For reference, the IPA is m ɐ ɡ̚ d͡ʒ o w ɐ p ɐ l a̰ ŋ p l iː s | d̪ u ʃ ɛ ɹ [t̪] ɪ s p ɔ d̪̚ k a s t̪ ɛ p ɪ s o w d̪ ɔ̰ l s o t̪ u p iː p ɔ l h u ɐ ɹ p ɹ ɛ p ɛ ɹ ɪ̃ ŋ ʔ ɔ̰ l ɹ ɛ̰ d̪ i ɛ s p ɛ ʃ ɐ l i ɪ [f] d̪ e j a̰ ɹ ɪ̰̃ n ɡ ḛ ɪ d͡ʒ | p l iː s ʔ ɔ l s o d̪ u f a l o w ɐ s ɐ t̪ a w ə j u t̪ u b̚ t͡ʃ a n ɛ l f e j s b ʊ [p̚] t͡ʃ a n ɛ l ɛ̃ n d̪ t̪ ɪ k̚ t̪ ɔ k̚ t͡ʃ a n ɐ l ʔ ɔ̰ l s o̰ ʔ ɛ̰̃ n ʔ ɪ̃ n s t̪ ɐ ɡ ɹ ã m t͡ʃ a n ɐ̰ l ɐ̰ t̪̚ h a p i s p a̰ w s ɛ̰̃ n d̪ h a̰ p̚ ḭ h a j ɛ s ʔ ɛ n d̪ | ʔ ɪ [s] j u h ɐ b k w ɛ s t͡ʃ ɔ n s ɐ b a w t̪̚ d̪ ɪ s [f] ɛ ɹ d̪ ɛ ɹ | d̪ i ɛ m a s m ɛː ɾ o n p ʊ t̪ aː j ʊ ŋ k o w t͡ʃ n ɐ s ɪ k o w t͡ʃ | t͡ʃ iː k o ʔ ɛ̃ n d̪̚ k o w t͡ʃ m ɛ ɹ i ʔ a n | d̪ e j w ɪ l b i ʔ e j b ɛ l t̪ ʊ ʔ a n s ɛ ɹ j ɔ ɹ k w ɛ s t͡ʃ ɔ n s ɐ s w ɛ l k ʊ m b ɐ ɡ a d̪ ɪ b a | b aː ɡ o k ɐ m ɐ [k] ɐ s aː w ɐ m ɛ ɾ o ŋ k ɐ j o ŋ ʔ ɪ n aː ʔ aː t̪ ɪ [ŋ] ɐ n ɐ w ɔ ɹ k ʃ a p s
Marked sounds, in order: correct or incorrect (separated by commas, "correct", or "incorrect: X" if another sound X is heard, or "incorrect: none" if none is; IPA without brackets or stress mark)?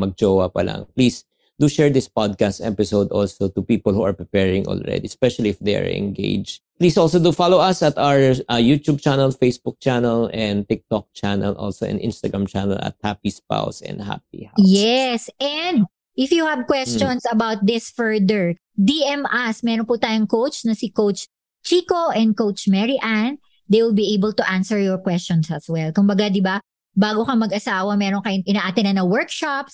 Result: incorrect: d̪, correct, incorrect: k̚, incorrect: f, correct, incorrect: ɡ, incorrect: n